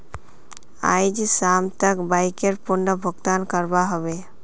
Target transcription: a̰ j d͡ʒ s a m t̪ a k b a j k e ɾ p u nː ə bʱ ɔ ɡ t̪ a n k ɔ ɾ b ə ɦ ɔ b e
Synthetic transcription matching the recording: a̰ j d͡ʒ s a m t̪ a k b a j k e ɾ p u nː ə bʱ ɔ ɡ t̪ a n k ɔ ɾ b a ɦ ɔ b e